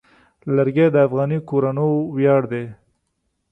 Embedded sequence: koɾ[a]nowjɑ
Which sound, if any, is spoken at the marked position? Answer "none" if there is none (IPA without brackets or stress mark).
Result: a